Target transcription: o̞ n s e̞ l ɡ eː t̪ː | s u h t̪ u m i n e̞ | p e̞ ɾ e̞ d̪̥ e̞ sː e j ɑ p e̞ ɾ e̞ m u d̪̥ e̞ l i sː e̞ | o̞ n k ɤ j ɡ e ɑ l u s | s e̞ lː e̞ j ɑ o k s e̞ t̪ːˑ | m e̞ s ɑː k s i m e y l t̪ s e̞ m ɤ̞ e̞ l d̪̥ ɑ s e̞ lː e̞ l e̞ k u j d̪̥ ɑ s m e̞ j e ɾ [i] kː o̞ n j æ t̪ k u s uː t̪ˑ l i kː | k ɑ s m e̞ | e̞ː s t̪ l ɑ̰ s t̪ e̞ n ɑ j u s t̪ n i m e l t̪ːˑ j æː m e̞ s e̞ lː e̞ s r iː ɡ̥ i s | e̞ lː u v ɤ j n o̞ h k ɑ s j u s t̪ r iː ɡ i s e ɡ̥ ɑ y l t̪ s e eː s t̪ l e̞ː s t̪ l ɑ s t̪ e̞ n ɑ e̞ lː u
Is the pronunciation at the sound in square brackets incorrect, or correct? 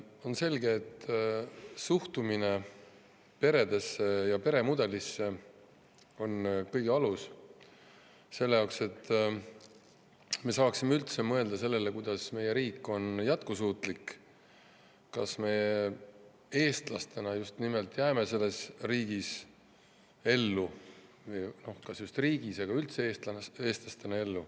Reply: incorrect